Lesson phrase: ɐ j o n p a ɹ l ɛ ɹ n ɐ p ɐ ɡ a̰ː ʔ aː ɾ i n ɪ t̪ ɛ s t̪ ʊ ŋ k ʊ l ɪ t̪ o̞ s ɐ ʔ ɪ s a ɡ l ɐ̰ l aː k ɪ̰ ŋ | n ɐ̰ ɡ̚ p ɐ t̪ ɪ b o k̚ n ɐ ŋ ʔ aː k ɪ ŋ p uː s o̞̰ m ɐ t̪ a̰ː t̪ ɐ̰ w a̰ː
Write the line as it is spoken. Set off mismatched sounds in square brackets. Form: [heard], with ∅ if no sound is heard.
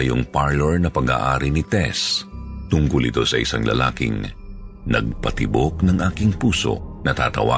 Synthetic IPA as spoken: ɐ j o [ŋ] p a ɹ l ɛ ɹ n ɐ p ɐ ɡ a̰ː ʔ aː ɾ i n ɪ t̪ ɛ s t̪ ʊ ŋ k ʊ l ɪ t̪ o̞ s ɐ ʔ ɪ s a [ŋ] l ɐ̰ l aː k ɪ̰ ŋ | n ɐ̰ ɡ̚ p ɐ t̪ ɪ b o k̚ n ɐ ŋ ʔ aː k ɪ ŋ p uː s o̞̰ [n] ɐ t̪ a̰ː t̪ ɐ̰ w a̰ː